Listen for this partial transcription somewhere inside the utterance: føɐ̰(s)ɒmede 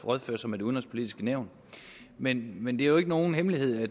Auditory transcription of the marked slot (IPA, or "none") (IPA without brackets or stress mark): s